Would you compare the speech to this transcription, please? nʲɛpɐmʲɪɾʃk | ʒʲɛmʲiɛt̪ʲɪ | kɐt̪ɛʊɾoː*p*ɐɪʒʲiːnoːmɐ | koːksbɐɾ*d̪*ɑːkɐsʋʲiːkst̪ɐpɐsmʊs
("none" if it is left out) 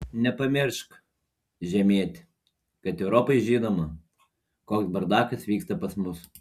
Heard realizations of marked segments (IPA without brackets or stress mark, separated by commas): p, d̪